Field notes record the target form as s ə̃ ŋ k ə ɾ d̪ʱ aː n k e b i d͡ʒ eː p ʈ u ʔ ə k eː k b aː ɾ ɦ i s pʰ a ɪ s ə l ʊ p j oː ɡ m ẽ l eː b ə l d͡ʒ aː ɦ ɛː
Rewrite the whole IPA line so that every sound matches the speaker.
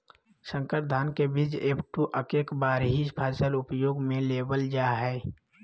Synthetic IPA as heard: s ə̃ ŋ k ə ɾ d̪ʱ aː n k e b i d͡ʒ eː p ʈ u ʔ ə k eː k b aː ɾ ɦ i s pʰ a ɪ s ə l ʊ p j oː ɡ m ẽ l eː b ə l d͡ʒ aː ɦ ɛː